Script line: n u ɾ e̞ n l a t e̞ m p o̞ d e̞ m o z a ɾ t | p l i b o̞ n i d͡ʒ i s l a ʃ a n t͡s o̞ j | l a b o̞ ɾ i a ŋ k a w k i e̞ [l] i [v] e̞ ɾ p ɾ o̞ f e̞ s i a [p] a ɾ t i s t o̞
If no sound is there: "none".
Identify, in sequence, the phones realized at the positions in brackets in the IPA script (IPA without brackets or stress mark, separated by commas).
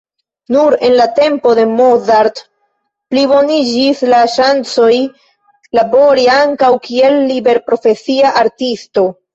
lː, b, ʔ